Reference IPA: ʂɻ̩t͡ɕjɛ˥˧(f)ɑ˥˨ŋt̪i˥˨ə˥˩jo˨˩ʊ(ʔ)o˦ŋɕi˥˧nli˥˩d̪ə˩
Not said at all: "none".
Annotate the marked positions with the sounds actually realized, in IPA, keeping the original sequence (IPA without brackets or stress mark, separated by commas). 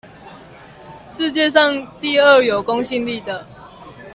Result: ʂ, k